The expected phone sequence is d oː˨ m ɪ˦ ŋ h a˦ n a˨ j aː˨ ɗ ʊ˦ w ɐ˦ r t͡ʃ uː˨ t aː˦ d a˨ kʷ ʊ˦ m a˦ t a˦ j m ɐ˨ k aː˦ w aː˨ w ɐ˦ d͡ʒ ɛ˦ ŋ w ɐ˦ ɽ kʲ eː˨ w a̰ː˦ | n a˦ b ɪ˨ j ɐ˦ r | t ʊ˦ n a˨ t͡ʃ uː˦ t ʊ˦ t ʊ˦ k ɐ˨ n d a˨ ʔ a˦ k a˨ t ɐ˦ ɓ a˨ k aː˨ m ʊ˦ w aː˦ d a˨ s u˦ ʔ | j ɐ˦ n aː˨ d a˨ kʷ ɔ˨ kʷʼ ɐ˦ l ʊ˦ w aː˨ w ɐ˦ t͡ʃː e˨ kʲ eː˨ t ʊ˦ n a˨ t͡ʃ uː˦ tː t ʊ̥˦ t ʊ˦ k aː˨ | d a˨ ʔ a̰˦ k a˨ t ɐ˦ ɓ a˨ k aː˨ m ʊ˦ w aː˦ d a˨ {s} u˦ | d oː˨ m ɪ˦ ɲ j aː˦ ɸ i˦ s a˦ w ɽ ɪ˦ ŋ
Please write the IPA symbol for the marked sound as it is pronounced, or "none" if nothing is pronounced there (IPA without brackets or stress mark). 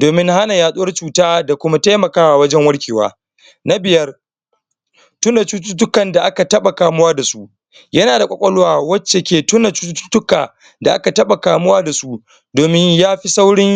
s